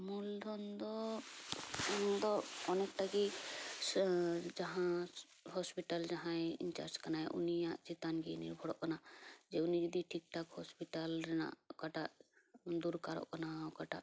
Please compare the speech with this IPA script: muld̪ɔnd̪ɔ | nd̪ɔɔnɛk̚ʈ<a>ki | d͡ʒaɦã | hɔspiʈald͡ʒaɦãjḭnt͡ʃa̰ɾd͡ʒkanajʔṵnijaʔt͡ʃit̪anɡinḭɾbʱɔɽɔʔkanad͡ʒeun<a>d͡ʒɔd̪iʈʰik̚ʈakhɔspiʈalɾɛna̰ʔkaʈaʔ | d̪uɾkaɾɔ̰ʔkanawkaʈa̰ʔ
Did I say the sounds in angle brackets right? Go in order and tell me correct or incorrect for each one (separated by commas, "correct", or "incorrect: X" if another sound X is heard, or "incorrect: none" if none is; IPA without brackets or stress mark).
correct, incorrect: i